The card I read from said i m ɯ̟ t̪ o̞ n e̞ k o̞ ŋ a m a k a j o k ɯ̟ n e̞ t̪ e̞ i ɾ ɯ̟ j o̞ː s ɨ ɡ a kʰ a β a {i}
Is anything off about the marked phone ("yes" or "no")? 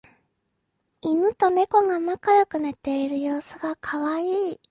yes